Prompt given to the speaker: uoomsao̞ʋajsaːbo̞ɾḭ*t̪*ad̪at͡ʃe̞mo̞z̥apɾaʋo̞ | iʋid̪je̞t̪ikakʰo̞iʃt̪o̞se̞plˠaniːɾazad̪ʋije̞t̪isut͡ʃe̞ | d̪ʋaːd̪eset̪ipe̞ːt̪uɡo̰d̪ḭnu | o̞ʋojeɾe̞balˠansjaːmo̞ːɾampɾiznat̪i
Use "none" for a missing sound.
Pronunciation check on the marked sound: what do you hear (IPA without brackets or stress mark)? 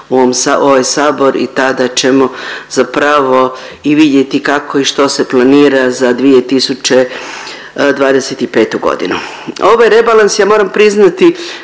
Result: t̪